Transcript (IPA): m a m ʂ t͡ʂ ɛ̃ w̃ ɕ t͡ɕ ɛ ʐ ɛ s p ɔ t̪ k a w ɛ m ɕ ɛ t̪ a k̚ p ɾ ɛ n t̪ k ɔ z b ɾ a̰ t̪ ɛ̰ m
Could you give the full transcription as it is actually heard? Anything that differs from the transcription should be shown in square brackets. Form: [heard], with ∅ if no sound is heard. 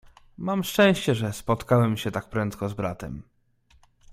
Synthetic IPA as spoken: m a m ʂ t͡ʂ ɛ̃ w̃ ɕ t͡ɕ ɛ ʐ ɛ s p ɔ t̪ k a w ɛ m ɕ ɛ t̪ a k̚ p ɾ ɛ n t̪ k ɔ z b ɾ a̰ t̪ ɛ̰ m